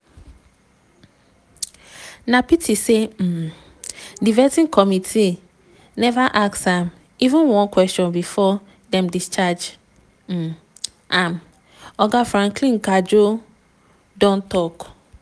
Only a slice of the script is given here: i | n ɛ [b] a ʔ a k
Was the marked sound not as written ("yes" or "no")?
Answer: yes